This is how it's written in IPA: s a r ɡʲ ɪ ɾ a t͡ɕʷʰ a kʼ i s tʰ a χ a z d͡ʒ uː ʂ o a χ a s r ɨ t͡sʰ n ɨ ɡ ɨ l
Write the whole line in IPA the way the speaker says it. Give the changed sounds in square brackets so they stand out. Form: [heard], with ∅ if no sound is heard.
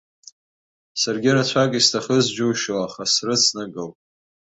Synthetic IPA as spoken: s a r ɡʲ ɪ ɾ a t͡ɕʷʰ a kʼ i s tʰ a χ [ə] z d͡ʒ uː [ʃ] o a χ a s r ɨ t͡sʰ n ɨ ɡ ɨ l